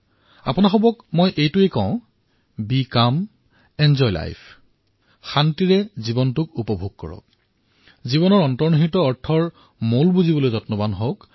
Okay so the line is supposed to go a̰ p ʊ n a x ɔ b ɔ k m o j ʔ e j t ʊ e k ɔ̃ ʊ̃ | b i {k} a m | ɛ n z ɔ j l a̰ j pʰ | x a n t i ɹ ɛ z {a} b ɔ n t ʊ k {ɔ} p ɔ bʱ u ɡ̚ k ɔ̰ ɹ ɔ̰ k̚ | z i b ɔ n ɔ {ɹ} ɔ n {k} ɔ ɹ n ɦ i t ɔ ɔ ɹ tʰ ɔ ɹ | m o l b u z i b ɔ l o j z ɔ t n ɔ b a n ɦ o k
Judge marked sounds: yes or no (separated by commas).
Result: yes, no, no, yes, no